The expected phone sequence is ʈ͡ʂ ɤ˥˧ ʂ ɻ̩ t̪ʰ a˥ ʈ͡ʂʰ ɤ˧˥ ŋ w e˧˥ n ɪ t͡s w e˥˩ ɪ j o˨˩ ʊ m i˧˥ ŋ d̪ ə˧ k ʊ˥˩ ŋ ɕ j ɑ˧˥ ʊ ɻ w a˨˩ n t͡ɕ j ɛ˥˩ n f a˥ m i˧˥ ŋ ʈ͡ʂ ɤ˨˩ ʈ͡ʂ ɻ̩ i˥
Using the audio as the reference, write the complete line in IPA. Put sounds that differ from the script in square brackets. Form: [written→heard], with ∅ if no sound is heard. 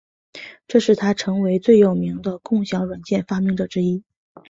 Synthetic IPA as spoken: ʈ͡ʂ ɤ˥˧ ʂ ɻ̩ t̪ʰ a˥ ʈ͡ʂʰ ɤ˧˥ ŋ w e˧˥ [n→∅] ɪ t͡s w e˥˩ ɪ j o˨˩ ʊ m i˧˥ ŋ d̪ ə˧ k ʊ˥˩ ŋ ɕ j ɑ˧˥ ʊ ɻ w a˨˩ n t͡ɕ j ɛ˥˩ n f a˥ m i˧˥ ŋ ʈ͡ʂ ɤ˨˩ ʈ͡ʂ ɻ̩ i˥